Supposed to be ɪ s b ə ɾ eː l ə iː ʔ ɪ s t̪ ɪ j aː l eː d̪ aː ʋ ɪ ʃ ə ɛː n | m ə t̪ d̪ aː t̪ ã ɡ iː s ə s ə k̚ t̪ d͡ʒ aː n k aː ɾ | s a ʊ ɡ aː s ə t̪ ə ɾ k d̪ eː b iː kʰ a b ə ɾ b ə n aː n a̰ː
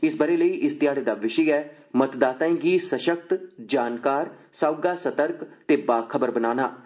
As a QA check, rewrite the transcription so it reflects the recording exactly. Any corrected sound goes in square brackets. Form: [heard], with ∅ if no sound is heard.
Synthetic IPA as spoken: ɪ s b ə ɾ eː l ə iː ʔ ɪ s t̪ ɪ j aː [ɽ] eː d̪ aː ʋ ɪ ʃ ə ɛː [∅] | m ə t̪ d̪ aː t̪ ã ɡ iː s ə [ʃ] ə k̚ t̪ d͡ʒ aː n k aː ɾ | s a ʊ ɡ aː s ə t̪ ə ɾ k [t̪] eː b [aː] kʰ [ə] b ə ɾ b ə n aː n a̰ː